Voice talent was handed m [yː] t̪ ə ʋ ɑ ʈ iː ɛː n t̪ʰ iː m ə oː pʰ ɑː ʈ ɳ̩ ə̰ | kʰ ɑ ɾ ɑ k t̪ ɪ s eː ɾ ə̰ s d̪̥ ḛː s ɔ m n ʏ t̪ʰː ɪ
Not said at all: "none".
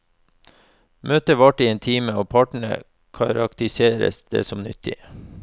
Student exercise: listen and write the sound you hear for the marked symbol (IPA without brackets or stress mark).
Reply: øː